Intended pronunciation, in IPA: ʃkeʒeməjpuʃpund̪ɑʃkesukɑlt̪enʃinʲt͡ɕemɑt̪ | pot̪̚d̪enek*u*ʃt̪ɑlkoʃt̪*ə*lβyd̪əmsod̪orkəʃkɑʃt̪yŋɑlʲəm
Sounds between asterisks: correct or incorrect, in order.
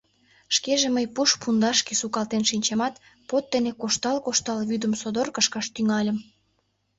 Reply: incorrect: o, incorrect: ɑ

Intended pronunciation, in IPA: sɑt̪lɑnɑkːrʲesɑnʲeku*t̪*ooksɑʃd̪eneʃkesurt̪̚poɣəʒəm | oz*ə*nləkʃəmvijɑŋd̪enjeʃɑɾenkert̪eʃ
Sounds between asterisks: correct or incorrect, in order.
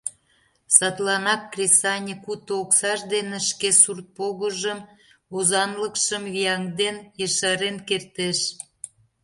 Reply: correct, incorrect: ɑ

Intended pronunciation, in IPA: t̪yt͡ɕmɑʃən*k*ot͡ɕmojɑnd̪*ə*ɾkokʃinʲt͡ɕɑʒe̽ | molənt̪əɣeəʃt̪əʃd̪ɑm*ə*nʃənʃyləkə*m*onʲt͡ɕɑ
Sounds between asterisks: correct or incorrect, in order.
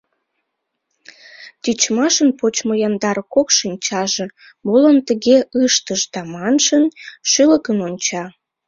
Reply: incorrect: p, incorrect: ɑ, incorrect: ɑ, incorrect: n

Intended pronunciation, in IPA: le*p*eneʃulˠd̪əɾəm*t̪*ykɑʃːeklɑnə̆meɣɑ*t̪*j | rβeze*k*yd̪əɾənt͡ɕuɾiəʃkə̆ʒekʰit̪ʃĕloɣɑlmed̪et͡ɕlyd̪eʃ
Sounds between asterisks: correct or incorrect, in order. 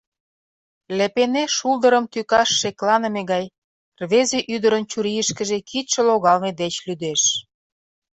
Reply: correct, correct, incorrect: none, incorrect: ʔ

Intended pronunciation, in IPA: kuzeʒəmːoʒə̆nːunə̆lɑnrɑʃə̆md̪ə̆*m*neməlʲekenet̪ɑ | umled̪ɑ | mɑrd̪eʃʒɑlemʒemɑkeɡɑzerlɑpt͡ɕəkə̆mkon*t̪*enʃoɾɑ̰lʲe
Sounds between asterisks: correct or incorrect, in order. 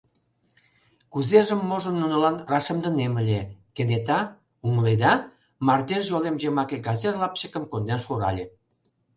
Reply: incorrect: none, incorrect: d̪

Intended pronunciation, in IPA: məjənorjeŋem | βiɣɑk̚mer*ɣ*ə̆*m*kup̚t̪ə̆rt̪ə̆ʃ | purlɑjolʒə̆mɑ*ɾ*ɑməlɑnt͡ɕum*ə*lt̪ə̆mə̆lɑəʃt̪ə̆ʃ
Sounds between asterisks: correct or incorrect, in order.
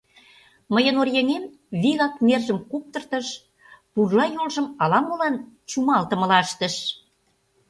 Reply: incorrect: ʒ, correct, incorrect: l, incorrect: ɑ

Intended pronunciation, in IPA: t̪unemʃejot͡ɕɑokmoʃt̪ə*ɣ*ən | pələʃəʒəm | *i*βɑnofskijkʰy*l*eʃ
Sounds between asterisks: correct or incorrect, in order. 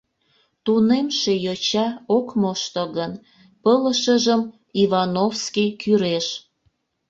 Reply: correct, correct, incorrect: ɾ

